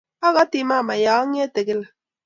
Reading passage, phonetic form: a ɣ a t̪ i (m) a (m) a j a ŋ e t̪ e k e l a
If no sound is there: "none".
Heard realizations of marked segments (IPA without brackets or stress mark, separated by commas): m, m